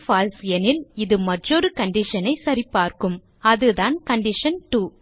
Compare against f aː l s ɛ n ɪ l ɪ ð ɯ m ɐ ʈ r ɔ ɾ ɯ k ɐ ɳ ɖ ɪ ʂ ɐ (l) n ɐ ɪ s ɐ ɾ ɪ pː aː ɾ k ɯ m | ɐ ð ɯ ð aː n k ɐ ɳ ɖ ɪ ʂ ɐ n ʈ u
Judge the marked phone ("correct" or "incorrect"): incorrect